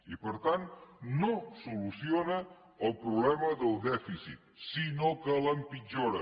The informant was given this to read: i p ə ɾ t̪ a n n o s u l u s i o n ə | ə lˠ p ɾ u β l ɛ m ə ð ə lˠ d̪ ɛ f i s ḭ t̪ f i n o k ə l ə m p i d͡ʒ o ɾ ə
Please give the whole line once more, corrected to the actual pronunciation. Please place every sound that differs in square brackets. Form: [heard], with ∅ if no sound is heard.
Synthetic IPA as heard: i p ə ɾ t̪ a n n o s u l u s i o n ə | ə lˠ p ɾ u β l ɛ m ə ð ə lˠ d̪ ɛ f i s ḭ t̪ [s] i n o k ə l ə m p i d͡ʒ o ɾ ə